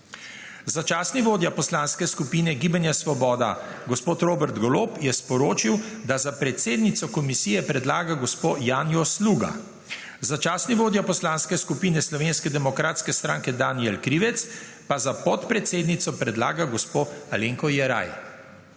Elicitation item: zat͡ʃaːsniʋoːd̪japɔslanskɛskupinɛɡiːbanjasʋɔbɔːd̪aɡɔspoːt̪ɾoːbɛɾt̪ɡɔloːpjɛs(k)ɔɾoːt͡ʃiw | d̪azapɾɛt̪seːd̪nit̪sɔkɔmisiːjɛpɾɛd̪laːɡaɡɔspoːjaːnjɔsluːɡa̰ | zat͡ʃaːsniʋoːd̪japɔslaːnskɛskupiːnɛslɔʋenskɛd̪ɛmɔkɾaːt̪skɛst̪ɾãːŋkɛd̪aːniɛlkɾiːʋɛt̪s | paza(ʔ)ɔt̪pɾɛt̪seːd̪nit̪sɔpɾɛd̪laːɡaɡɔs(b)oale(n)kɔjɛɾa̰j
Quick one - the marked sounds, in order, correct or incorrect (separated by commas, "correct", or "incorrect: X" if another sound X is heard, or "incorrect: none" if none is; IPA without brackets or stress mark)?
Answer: incorrect: p, incorrect: p, incorrect: p, incorrect: ŋ